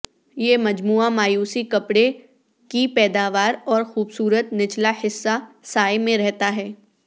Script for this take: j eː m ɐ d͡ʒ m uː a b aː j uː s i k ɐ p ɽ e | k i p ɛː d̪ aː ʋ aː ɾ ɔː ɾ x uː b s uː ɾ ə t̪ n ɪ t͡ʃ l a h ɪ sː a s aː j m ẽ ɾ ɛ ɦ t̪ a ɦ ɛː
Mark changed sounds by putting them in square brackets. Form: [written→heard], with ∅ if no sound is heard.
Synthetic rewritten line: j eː m ɐ d͡ʒ m uː a [b→m] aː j uː s i k ɐ p ɽ e | k i p ɛː d̪ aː ʋ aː ɾ ɔː ɾ x uː b s uː ɾ ə t̪ n ɪ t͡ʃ l a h ɪ sː a s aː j m ẽ ɾ ɛ ɦ t̪ a ɦ ɛː